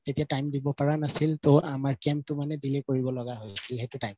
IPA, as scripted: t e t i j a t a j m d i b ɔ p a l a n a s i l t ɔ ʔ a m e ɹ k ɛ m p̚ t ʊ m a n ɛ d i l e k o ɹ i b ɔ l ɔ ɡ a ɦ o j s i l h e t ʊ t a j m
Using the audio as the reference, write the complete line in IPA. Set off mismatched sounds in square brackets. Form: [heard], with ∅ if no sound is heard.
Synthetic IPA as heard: t e t i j a t a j m d i b ɔ p a [ɹ] a n a s i l t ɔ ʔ a m [a] ɹ k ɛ m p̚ t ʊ m a n ɛ d i l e k o ɹ i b ɔ l ɔ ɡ a ɦ o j s i l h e t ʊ t a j m